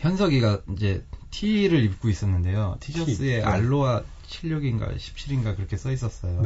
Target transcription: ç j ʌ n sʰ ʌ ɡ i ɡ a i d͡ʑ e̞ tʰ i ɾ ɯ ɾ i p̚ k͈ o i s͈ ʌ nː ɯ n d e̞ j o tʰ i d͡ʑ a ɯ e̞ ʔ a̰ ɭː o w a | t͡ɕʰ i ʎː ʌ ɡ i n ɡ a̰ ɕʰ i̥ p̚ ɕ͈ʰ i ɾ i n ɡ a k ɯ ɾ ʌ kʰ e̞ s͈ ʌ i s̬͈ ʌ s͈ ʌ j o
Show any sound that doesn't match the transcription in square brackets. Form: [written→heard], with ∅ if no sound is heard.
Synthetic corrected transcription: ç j ʌ n sʰ ʌ ɡ i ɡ a i d͡ʑ e̞ tʰ i ɾ ɯ ɾ i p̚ k͈ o i s͈ ʌ nː ɯ n d e̞ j o tʰ i d͡ʑ [a→ʌ] ɯ e̞ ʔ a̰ ɭː o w a | t͡ɕʰ i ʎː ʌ ɡ i n ɡ a̰ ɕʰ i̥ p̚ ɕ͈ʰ i ɾ i n ɡ a k ɯ ɾ ʌ kʰ e̞ s͈ ʌ i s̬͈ ʌ s͈ ʌ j o